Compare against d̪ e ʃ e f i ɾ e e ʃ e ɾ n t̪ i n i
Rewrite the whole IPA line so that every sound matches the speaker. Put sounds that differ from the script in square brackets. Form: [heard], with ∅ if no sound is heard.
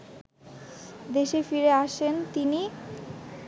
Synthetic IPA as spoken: d̪ e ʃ e f i ɾ e [a] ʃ e [∅] n t̪ i n i